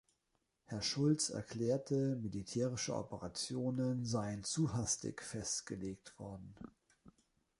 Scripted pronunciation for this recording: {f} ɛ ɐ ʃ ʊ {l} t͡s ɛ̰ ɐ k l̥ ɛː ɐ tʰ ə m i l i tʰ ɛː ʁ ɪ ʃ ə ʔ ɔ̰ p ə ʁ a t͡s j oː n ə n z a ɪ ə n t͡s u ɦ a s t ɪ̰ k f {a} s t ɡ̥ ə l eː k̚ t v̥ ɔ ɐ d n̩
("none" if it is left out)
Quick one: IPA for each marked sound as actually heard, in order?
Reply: h, l, ɛ

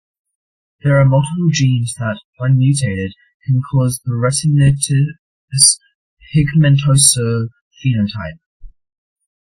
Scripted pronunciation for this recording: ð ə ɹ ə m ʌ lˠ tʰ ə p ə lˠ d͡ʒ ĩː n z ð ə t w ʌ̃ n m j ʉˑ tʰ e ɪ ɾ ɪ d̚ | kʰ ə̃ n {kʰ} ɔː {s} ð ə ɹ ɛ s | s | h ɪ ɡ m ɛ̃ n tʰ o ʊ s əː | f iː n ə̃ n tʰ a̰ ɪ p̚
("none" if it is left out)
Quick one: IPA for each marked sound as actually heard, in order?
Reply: kʰ, z

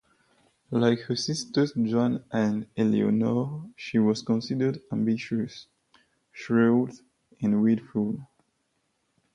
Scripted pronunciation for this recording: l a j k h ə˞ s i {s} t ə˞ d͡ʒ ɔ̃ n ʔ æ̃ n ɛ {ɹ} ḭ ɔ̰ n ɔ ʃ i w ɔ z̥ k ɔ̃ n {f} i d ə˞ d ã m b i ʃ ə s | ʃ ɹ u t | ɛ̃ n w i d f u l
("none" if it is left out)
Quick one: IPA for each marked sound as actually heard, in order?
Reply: s, l, s

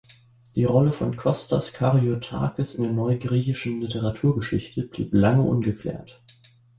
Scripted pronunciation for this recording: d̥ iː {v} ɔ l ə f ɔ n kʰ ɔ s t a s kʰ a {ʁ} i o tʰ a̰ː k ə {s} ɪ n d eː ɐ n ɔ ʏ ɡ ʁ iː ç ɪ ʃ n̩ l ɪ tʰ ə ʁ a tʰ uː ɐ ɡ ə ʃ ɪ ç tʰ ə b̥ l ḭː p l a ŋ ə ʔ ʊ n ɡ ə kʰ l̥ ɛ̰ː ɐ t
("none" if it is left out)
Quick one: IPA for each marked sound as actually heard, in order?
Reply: ʁ, ʁ, s

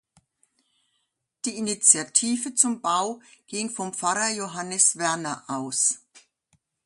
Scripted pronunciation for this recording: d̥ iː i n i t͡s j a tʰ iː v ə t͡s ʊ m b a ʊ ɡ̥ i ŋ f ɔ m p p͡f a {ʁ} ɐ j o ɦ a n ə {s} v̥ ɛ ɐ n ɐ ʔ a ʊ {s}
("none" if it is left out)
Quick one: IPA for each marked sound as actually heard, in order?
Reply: ʁ, s, s

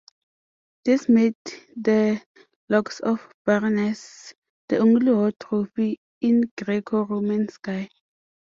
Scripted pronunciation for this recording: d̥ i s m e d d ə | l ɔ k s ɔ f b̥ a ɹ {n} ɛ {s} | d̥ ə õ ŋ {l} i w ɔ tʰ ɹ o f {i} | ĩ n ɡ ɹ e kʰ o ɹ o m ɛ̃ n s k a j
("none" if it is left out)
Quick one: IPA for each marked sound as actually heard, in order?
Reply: n, s, l, i

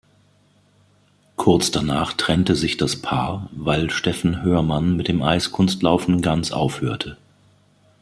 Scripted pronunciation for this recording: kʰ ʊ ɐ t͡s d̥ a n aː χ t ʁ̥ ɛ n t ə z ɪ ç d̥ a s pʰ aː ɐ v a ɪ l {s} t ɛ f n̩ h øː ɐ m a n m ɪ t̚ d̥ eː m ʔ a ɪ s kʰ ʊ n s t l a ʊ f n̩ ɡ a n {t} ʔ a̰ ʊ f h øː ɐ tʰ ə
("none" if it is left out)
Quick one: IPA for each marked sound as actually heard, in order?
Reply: ʃ, t͡s

